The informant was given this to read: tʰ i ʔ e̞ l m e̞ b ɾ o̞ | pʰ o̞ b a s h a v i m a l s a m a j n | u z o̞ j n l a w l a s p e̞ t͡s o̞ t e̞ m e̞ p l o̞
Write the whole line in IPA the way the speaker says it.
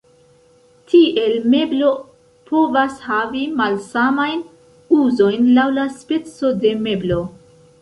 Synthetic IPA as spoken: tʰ i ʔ e̞ l m e̞ b l o̞ | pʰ o̞ v a s h a v i m a l s a m a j n | u z o̞ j n l a w l a s p e̞ t͡s o̞ d e̞ m e̞ b l o̞